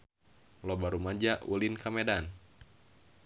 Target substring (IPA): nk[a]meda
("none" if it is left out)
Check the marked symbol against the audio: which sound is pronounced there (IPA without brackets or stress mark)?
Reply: a